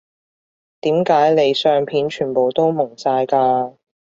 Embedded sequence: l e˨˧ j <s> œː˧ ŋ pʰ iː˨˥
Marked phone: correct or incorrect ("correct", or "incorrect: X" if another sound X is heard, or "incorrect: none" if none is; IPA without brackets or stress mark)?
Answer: correct